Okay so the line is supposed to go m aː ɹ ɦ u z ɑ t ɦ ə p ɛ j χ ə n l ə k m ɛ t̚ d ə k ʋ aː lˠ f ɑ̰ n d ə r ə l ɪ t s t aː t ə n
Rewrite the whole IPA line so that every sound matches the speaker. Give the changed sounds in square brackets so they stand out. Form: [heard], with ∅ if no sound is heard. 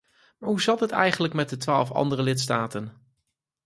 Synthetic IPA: m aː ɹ ɦ u z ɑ t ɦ ə [t] ɛ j χ ə n l ə k m ɛ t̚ d ə [t] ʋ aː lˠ f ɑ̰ n d ə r ə l ɪ t s t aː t ə n